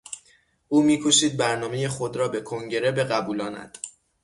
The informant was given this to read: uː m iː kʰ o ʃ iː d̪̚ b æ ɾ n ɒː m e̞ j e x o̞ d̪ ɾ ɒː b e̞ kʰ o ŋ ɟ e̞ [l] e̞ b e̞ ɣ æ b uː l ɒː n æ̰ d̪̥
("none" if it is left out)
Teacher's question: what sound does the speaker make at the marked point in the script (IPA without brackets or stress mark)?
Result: ɾ